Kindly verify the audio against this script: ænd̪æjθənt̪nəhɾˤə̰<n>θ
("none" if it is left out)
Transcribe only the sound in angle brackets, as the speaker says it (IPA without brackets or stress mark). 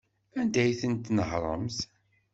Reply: m